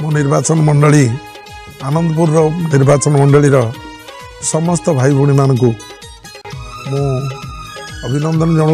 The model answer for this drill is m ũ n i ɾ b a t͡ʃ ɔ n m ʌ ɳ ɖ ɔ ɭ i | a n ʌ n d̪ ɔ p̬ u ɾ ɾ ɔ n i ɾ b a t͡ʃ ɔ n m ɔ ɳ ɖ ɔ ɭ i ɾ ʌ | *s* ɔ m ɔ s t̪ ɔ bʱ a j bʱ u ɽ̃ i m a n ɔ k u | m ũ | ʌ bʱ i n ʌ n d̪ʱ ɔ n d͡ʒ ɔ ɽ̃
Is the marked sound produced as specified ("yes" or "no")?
yes